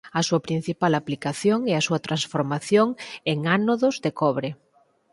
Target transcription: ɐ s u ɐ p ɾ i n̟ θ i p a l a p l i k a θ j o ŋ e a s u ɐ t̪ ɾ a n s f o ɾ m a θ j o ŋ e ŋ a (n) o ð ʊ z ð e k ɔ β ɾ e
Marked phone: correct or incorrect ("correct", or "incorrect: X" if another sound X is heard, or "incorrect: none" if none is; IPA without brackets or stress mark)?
correct